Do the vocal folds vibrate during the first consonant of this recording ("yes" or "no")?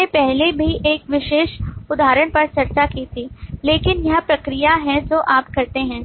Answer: no